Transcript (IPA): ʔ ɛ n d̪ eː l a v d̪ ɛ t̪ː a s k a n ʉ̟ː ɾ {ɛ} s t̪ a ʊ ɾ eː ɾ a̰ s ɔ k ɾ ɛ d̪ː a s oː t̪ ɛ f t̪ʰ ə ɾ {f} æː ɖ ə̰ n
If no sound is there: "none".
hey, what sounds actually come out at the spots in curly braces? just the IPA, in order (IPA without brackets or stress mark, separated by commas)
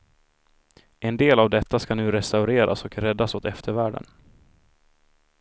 ɛ, v